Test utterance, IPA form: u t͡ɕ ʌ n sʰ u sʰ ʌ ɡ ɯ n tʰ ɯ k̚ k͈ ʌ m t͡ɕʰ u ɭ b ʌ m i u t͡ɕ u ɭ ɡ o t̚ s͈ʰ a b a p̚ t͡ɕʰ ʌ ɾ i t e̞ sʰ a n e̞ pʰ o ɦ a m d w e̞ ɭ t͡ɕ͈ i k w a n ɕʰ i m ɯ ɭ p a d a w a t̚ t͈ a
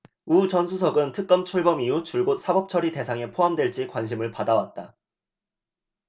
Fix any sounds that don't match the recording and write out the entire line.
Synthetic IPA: u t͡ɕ ʌ n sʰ u sʰ ʌ ɡ ɯ n tʰ ɯ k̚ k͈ ʌ m t͡ɕʰ u ɭ b ʌ m i u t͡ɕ u ɭ ɡ o t̚ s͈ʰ a b ʌ p̚ t͡ɕʰ ʌ ɾ i t e̞ sʰ a ŋ e̞ pʰ o ɦ a m d w e̞ ɭ t͡ɕ͈ i k w a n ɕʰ i m ɯ ɭ p a d a w a t̚ t͈ a

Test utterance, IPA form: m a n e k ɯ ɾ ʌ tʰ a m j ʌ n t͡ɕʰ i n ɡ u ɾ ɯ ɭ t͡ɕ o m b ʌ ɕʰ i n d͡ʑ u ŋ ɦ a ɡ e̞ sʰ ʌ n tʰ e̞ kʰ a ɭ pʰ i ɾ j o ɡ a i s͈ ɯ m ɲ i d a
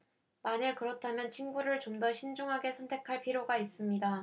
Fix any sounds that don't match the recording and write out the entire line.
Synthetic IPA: m a n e k ɯ ɾ ʌ tʰ a m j ʌ n t͡ɕʰ i n ɡ u ɾ ɯ ɭ t͡ɕ o m d ʌ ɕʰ i n d͡ʑ u ŋ ɦ a ɡ e̞ sʰ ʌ n tʰ e̞ kʰ a ɭ pʰ i ɾ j o ɡ a i s͈ ɯ m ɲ i d a

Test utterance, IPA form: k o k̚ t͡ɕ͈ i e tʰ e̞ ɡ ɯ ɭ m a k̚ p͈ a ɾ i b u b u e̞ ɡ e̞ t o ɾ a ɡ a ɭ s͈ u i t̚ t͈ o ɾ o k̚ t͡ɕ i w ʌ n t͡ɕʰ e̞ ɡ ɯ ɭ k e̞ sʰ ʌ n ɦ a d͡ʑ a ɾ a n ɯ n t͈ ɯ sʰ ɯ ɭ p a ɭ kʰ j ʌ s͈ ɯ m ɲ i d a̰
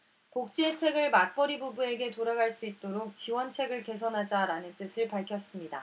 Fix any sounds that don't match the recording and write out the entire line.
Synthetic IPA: k o k̚ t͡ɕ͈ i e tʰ e̞ ɡ ɯ ɭ m a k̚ p͈ ʌ ɾ i b u b u e̞ ɡ e̞ t o ɾ a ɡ a ɭ s͈ u i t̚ t͈ o ɾ o k̚ t͡ɕ i w ʌ n t͡ɕʰ e̞ ɡ ɯ ɭ k e̞ sʰ ʌ n ɦ a d͡ʑ a ɾ a n ɯ n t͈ ɯ sʰ ɯ ɭ p a ɭ kʰ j ʌ s͈ ɯ m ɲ i d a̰

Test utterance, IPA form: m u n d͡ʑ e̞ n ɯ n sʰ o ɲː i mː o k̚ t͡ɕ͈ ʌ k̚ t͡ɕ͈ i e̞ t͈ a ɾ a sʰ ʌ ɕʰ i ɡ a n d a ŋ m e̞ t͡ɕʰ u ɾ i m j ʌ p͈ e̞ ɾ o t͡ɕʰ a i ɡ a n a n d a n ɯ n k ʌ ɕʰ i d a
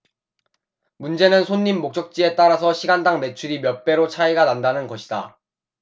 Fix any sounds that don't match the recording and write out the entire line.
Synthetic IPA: m u n d͡ʑ e̞ n ɯ n sʰ o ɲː i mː o k̚ t͡ɕ͈ ʌ k̚ t͡ɕ͈ i e̞ t͈ a ɾ a sʰ ʌ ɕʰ i ɡ a n d a ŋ m e̞ t͡ɕʰ u ɾ i m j ʌ p͈ e̞ ɾ o t͡ɕʰ a i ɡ a n a n d a n ɯ n ɡ ʌ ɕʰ i d a

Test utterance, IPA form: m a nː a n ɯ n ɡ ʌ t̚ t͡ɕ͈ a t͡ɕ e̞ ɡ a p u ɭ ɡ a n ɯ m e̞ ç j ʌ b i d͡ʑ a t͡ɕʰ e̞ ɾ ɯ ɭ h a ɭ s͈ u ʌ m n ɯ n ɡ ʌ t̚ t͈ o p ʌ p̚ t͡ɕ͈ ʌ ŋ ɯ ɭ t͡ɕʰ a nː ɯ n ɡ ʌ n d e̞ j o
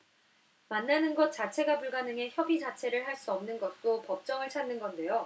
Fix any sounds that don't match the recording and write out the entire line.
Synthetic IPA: m a nː a n ɯ n ɡ ʌ t̚ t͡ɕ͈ a t͡ɕʰ e̞ ɡ a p u ɭ ɡ a n ɯ ŋ e̞ ç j ʌ b i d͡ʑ a t͡ɕʰ e̞ ɾ ɯ ɭ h a ɭ s͈ u ʌ m n ɯ n ɡ ʌ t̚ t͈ o p ʌ p̚ t͡ɕ͈ ʌ ŋ ɯ ɭ t͡ɕʰ a nː ɯ n ɡ ʌ n d e̞ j o

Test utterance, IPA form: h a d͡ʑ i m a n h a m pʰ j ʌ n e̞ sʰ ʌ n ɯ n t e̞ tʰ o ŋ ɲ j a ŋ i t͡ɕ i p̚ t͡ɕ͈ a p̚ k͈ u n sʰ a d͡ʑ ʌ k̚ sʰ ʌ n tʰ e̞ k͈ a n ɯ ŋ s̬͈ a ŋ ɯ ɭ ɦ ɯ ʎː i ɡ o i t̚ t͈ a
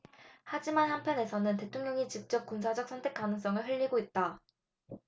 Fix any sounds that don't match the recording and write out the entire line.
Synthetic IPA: h a d͡ʑ i m a n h a m pʰ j ʌ n e̞ sʰ ʌ n ɯ n t e̞ tʰ o ŋ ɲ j ʌ ŋ i t͡ɕ i p̚ t͡ɕ͈ ʌ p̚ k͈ u n sʰ a d͡ʑ ʌ k̚ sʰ ʌ n tʰ e̞ k͈ a n ɯ ŋ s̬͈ ʌ ŋ ɯ ɭ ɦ ɯ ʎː i ɡ o i t̚ t͈ a

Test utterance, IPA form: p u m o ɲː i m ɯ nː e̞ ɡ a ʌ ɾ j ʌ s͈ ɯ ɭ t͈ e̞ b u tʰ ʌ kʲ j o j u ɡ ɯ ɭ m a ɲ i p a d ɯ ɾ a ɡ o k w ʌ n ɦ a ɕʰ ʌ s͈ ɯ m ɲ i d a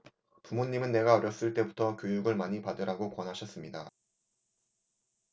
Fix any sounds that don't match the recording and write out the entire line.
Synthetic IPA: p u m o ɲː i m ɯ nː e̞ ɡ a ʌ ɾ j ʌ s͈ ɯ ɭ t͈ e̞ b u tʰ ʌ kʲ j o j u ɡ ɯ ɭ m a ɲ i p a d ɯ ɾ a ɡ o k w ʌ n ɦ a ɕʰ ʌ s͈ ɯ m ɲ i d a

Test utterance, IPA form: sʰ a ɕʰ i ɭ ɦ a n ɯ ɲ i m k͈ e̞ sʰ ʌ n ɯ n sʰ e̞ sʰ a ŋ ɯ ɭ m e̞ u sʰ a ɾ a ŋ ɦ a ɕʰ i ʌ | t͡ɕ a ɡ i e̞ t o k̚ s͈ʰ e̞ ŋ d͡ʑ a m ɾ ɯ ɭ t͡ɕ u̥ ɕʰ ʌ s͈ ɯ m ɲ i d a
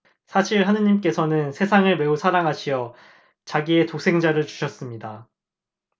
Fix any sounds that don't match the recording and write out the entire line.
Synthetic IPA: sʰ a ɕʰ i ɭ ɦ a n ɯ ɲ i m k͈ e̞ sʰ ʌ n ɯ n sʰ e̞ sʰ a ŋ ɯ ɭ m e̞ u sʰ a ɾ a ŋ ɦ a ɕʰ i ʌ | t͡ɕ a ɡ i e̞ t o k̚ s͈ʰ e̞ ŋ d͡ʑ a ɾ ɯ ɭ t͡ɕ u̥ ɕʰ ʌ s͈ ɯ m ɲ i d a

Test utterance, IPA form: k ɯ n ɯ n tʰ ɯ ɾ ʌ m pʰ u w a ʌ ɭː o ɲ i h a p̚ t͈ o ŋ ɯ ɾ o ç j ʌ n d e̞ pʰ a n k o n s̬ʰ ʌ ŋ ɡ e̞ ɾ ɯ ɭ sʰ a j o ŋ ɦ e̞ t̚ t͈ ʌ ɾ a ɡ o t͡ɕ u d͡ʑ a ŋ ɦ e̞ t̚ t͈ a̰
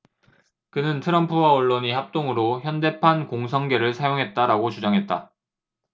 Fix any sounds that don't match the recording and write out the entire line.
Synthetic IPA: k ɯ n ɯ n tʰ ɯ ɾ ʌ m pʰ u w a ʌ ɭː o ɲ i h a p̚ t͈ o ŋ ɯ ɾ o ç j ʌ n d e̞ pʰ a n k o ŋ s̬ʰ ʌ ŋ ɡ e̞ ɾ ɯ ɭ sʰ a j o ŋ ɦ e̞ t̚ t͈ a ɾ a ɡ o t͡ɕ u d͡ʑ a ŋ ɦ e̞ t̚ t͈ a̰

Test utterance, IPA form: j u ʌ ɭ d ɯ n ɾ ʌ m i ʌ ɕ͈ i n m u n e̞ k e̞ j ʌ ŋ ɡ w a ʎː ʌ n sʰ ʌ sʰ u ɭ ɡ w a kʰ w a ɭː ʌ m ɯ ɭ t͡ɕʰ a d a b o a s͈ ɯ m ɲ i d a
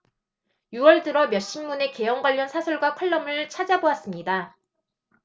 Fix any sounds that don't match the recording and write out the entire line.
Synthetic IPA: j u ʌ ɭ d ɯ ɾ ʌ m j ʌ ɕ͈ i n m u n e̞ k e̞ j ʌ ŋ ɡ w a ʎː ʌ n sʰ a sʰ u ɭ ɡ w a kʰ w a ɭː ʌ m ɯ ɭ t͡ɕʰ a d͡ʑ a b o a s͈ ɯ m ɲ i d a

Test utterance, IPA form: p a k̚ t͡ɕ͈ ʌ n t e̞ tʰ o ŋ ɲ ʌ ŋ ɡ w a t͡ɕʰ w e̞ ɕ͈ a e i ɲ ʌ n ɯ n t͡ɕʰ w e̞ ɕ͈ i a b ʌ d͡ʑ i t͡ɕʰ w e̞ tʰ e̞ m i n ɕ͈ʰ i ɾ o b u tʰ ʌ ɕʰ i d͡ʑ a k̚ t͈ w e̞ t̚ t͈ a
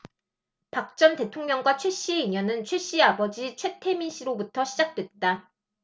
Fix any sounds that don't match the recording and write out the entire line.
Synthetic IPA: p a k̚ t͡ɕ͈ ʌ n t e̞ tʰ o ŋ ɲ ʌ ŋ ɡ w a t͡ɕʰ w e̞ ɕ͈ i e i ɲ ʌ n ɯ n t͡ɕʰ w e̞ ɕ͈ i a b ʌ d͡ʑ i t͡ɕʰ w e̞ tʰ e̞ m i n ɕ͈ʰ i ɾ o b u tʰ ʌ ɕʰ i d͡ʑ a k̚ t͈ w e̞ t̚ t͈ a

